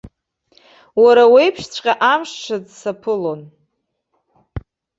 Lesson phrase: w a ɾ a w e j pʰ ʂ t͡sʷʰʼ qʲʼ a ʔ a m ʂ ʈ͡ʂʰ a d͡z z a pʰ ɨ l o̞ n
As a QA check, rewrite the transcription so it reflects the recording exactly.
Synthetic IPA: w a ɾ a w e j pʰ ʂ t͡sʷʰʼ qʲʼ a ʔ a m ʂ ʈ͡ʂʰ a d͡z s a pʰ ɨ l o̞ n